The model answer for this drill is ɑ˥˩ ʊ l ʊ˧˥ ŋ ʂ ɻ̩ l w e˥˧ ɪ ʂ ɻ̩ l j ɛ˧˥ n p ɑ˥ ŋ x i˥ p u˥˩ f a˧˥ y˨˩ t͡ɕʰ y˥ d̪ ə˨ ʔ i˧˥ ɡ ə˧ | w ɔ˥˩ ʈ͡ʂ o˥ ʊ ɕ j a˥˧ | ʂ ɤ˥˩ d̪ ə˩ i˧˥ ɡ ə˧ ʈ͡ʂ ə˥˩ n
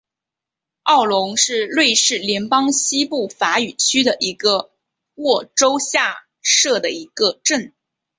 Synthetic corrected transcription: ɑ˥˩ ʊ l ʊ˧˥ ŋ ʂ ɻ̩ l w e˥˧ ɪ ʂ ɻ̩ l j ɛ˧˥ n p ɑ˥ ŋ ɕ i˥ p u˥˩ f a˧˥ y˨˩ t͡ɕʰ y˥ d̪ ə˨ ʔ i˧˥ ɡ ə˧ | w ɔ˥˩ ʈ͡ʂ o˥ ʊ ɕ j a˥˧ | ʂ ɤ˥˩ d̪ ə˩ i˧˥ ɡ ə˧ ʈ͡ʂ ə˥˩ n